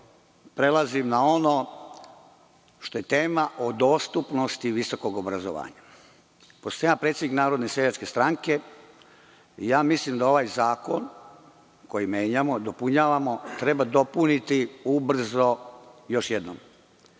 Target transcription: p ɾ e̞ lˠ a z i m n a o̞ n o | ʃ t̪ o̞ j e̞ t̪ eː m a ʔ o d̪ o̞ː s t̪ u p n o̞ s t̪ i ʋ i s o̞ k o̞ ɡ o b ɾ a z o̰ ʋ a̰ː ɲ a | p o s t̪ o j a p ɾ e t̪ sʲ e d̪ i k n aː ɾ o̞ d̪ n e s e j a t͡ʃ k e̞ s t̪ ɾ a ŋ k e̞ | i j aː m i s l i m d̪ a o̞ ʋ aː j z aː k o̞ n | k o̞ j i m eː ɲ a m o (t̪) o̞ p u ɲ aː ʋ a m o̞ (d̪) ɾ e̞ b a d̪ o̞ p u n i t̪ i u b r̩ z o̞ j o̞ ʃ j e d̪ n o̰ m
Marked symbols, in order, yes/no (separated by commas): no, no